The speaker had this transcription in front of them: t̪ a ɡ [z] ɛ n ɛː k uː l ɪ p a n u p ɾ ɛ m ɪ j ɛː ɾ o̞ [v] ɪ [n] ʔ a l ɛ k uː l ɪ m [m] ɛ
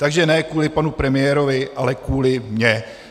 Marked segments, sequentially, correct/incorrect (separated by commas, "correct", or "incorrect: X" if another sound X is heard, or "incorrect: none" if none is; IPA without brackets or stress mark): incorrect: ʒ, correct, incorrect: none, incorrect: ɲ